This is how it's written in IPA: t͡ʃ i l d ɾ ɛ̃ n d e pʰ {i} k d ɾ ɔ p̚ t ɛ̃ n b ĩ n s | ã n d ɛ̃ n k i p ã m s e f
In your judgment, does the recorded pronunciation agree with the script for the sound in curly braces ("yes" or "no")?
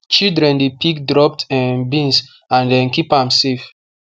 yes